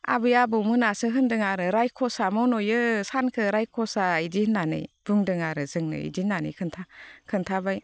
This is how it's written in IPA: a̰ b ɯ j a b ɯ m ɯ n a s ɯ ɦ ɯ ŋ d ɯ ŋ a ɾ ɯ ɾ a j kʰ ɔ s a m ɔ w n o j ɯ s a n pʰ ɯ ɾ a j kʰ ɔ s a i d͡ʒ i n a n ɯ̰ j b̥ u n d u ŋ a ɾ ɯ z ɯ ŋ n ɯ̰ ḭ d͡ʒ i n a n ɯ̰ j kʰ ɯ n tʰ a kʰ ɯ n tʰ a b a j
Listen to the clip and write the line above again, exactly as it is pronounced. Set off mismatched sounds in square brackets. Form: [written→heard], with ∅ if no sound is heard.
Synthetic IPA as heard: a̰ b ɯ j a b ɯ m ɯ n a s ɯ ɦ ɯ [ŋ→n] d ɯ ŋ a ɾ ɯ ɾ a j kʰ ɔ s a m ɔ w n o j ɯ s a n [pʰ→kʰ] ɯ ɾ a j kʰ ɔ s a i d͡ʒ i n a n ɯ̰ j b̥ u [n→ŋ] d [u→ɯ] ŋ a ɾ ɯ z ɯ ŋ n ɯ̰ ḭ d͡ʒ i n a n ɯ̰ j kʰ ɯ n tʰ a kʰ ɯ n tʰ a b a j